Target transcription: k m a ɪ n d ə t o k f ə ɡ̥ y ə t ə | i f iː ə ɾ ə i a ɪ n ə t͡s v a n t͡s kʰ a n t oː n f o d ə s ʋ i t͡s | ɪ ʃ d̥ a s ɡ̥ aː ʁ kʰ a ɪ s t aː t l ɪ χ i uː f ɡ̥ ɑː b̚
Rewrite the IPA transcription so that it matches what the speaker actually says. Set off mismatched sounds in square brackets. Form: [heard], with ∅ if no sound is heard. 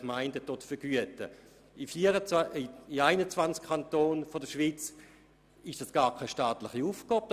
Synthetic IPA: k m a ɪ n d ə t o [t] f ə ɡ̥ y ə t ə | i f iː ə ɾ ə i a ɪ n ə t͡s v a n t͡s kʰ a n t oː n f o d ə [ʃ] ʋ i t͡s | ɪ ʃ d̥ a s ɡ̥ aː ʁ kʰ a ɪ [ʃ] t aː t l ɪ χ i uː f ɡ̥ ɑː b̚